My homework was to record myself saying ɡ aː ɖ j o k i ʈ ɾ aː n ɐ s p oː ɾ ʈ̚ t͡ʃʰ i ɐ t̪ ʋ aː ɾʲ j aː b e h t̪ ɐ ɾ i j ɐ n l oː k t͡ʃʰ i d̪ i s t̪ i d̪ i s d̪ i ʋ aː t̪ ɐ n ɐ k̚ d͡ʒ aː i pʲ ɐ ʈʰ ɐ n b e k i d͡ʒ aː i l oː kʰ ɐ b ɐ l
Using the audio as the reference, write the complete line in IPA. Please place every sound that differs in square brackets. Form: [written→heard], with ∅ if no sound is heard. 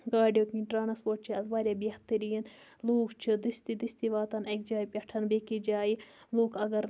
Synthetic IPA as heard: ɡ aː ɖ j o k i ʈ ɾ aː n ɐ s p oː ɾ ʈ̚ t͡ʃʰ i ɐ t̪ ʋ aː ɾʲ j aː b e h t̪ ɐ ɾ i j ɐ n l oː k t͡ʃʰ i d̪ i s t̪ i d̪ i s [d̪→t̪] i ʋ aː t̪ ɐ n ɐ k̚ d͡ʒ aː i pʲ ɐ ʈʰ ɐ n b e k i d͡ʒ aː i l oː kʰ ɐ [b→ɡ] ɐ [l→ɾ]